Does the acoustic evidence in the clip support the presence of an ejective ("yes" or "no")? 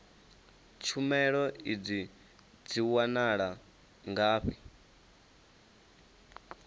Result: no